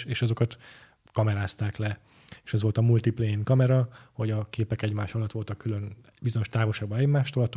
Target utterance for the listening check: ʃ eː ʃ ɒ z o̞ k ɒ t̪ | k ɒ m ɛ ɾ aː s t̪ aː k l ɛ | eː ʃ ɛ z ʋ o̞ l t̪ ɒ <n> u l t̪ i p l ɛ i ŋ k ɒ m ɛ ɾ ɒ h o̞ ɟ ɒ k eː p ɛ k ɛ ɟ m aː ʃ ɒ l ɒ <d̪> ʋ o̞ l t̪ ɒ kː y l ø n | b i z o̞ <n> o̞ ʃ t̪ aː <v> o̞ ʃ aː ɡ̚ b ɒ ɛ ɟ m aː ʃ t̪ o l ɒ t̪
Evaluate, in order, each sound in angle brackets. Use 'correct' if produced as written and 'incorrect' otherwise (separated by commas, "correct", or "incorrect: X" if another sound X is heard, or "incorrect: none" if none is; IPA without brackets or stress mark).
incorrect: m, incorrect: t̪, incorrect: ɲ, correct